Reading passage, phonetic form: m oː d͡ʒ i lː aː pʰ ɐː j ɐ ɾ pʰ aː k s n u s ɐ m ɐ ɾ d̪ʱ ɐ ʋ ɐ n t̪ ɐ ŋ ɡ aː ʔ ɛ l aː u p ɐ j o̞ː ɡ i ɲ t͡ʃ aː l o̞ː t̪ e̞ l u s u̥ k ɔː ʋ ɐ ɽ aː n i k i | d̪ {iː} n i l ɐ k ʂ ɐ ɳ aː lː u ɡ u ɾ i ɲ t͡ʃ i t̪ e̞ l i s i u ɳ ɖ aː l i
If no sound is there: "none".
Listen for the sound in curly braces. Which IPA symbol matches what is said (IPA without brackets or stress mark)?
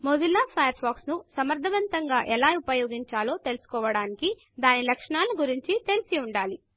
aː